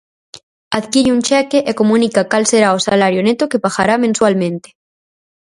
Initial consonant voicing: voiced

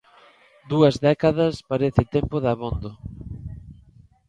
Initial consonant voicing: voiced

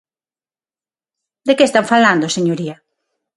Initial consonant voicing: voiced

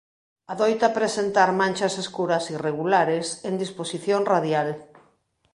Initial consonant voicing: voiced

